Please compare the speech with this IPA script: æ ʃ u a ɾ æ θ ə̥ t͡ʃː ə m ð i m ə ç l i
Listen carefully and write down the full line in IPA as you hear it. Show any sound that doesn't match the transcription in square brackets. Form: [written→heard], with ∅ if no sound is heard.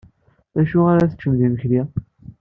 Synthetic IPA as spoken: æ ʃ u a ɾ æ θ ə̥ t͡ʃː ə m ð i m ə ç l i

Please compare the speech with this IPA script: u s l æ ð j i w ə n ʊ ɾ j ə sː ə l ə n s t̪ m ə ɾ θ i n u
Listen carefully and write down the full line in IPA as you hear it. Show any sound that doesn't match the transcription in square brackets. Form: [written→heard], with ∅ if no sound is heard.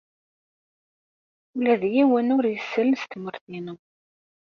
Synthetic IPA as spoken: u [s→∅] l æ ð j i w ə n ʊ ɾ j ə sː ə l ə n s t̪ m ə ɾ θ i n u

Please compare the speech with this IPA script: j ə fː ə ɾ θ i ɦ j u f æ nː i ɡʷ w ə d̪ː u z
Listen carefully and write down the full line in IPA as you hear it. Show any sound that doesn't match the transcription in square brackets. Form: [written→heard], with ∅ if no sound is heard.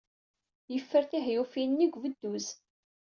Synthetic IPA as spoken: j ə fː ə ɾ θ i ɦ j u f [æ→i] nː i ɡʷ [w→v] ə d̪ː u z

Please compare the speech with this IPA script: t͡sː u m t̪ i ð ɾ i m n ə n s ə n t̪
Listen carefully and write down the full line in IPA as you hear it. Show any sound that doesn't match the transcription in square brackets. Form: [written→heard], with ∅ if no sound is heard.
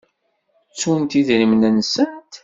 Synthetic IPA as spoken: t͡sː u [m→n] t̪ i ð ɾ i m n ə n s ə n t̪

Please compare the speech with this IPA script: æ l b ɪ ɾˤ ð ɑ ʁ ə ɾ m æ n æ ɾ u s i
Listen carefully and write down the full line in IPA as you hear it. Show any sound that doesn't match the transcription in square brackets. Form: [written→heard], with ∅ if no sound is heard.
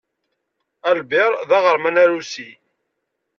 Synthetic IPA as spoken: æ l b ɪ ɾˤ ð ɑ ʁ ə ɾ m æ n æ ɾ u s i

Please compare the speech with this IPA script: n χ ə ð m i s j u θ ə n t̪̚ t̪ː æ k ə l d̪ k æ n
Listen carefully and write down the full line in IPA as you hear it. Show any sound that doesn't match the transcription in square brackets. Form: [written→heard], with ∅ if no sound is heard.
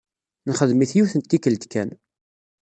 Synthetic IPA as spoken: n χ ə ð m i [s→θ] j u θ ə n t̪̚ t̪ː [æ→i] k ə l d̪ k æ n

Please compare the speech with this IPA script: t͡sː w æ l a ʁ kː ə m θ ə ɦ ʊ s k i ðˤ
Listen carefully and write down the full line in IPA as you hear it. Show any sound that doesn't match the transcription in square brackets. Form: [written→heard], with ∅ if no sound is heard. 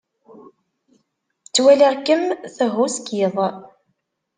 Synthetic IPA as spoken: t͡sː w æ l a ʁ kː ə m θ ə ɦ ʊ s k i ðˤ

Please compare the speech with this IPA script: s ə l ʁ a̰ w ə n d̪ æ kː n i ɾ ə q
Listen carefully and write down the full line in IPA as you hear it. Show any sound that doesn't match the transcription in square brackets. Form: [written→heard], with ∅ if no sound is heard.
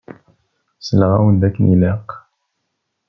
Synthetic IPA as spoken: s ə l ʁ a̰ w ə n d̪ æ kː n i [ɾ→l] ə q

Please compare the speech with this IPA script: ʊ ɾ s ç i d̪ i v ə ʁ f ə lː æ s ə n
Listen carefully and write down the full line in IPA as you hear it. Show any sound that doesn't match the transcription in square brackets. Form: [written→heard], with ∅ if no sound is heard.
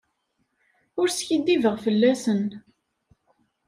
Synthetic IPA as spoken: ʊ ɾ s ç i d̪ i v ə ʁ f ə lː æ s ə n

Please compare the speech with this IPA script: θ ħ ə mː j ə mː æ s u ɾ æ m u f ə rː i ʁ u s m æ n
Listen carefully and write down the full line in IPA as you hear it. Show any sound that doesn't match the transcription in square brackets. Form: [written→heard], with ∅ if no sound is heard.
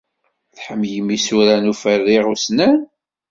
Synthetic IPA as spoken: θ ħ ə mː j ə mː [æ→i] s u ɾ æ [m→n] u f ə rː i ʁ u s [m→n] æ n

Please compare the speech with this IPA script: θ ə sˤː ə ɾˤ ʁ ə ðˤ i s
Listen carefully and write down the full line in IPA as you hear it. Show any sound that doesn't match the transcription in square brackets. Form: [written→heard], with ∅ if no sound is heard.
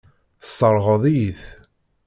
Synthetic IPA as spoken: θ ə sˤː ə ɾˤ ʁ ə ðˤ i [s→θ]

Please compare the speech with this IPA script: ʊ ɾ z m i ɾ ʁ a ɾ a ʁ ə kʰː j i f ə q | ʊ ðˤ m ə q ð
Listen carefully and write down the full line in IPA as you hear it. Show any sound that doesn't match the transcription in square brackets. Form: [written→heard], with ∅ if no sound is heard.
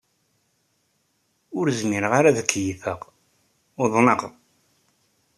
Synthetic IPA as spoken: ʊ ɾ z m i ɾ ʁ a ɾ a [ʁ→ð] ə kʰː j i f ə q | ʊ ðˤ [m→n] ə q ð

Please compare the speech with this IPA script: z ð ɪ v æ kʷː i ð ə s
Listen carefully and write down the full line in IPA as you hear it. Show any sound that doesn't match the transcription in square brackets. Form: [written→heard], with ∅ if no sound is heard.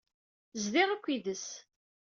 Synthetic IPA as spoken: z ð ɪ [v→ʁ] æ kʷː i ð ə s

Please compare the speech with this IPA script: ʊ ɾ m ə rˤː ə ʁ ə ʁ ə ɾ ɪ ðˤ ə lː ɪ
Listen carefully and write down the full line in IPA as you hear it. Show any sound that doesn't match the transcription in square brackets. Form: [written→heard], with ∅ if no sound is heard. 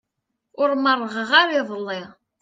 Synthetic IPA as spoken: ʊ ɾ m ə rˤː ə ʁ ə ʁ [ə→a] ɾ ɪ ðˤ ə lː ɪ

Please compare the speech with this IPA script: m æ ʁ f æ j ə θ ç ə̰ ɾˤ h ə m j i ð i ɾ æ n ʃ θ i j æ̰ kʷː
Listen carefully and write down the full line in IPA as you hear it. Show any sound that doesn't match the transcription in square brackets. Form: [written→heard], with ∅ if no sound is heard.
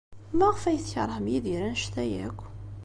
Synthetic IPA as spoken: m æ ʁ f æ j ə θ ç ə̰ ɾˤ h ə m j i ð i ɾ æ n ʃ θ [i→æ] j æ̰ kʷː

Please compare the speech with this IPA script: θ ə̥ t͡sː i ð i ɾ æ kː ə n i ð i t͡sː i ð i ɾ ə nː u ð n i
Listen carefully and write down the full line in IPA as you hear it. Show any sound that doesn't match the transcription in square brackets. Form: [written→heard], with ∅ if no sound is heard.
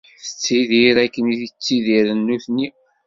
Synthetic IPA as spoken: θ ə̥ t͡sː i ð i ɾ æ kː ə n i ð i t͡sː i ð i ɾ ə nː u [ð→θ] n i

